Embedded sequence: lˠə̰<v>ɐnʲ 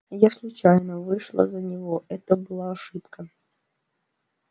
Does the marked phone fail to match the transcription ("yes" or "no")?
yes